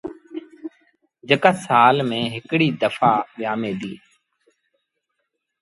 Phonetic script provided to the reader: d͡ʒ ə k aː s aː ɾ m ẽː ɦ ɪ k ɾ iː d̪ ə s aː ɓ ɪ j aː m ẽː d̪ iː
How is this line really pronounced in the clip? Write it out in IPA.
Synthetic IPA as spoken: d͡ʒ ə k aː s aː l m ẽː ɦ ɪ k ɽ iː d̪ ə f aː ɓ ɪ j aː m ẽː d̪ iː